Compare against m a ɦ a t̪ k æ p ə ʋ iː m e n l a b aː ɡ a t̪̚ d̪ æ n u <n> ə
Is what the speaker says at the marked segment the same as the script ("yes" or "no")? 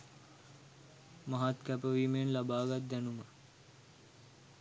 no